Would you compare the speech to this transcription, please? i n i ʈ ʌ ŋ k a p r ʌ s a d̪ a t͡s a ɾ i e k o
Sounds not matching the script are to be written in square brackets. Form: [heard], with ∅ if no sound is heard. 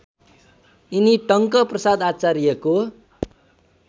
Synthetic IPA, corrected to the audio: i n i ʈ ʌ ŋ k [ʌ] p r ʌ s a d̪ a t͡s a ɾ i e k o